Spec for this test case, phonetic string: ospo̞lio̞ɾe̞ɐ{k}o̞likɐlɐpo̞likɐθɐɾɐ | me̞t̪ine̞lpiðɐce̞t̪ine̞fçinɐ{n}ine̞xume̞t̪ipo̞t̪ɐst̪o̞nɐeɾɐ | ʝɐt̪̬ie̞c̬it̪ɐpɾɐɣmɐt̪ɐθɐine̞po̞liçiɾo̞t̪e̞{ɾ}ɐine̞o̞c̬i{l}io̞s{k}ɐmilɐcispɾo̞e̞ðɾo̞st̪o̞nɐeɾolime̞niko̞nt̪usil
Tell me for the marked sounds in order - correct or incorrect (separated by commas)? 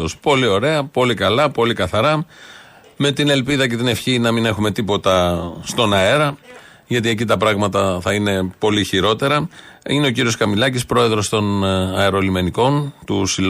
incorrect, incorrect, correct, incorrect, correct